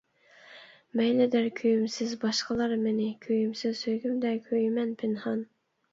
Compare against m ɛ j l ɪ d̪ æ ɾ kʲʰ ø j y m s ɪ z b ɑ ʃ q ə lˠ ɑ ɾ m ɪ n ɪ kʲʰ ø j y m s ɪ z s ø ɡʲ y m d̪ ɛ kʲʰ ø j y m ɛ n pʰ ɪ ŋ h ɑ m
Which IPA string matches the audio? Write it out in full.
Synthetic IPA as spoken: m ɛ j l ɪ d̪ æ ɾ kʲʰ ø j y m s ɪ z b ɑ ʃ q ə lˠ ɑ ɾ m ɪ n ɪ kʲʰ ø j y m s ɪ z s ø ɡʲ y m d̪ ɛ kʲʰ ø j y m ɛ n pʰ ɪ n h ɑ n